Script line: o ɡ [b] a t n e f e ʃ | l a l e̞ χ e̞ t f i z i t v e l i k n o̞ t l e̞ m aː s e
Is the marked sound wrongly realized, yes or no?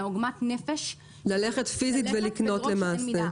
yes